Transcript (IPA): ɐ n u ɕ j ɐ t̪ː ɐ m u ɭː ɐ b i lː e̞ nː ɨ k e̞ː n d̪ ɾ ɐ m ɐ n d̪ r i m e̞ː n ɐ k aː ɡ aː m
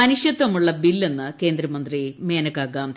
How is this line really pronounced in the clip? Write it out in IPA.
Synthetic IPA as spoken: ɐ n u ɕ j ɐ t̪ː ɐ m u ɭː ɐ b i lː e̞ nː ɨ k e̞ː n d̪ ɾ ɐ m ɐ n d̪ r i m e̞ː n ɐ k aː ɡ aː m